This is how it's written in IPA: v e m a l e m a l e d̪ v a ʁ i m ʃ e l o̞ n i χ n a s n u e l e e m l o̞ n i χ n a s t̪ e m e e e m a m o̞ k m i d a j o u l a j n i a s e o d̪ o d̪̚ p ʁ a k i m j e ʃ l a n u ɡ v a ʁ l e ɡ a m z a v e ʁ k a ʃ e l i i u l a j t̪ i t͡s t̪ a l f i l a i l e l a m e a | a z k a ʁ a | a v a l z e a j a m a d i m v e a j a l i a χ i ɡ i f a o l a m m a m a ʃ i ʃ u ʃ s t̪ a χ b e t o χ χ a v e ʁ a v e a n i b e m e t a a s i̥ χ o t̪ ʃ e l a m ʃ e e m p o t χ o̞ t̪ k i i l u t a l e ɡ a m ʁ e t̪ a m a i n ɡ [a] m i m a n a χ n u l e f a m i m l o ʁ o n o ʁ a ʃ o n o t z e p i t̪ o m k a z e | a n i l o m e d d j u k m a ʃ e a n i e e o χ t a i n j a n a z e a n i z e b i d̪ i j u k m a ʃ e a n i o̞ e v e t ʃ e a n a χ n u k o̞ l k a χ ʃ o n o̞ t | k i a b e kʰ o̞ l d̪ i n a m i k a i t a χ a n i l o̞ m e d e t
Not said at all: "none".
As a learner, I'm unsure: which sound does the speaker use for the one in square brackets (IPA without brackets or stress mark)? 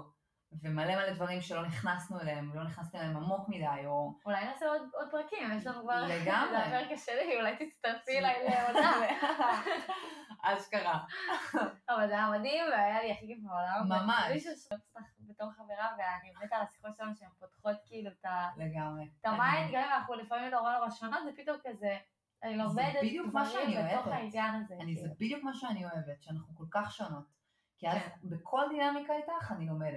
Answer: a